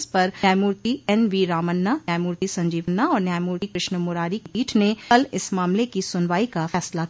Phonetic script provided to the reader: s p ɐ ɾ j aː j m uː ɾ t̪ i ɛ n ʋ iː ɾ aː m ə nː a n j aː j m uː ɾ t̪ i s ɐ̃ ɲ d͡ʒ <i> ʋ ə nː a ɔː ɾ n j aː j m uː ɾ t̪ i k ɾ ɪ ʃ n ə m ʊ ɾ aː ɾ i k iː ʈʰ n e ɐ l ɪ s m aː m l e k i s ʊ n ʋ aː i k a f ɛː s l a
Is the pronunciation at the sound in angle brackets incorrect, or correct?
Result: incorrect: iː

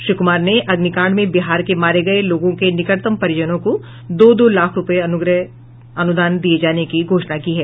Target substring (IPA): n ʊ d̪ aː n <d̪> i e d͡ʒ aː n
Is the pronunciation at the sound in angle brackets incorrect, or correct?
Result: correct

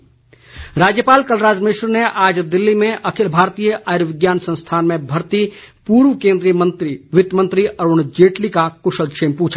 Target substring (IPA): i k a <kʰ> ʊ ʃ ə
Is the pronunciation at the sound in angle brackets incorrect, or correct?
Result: incorrect: k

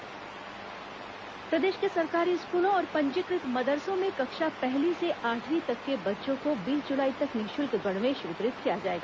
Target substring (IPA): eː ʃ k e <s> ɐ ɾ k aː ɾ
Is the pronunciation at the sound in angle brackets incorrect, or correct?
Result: correct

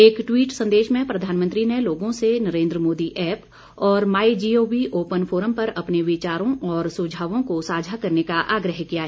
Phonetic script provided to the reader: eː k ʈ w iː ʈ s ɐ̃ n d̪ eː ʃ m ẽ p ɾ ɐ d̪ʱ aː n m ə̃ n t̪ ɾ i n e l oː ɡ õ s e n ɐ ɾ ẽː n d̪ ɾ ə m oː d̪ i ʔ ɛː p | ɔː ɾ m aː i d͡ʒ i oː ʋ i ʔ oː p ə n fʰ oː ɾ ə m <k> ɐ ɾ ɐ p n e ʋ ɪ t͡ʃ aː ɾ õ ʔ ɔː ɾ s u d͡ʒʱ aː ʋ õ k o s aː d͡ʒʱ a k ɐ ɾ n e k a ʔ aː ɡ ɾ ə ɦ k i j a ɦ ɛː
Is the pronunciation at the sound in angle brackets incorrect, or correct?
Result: incorrect: p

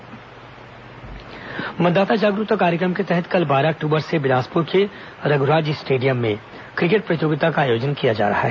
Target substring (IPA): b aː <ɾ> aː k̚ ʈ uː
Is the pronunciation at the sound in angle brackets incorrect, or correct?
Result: correct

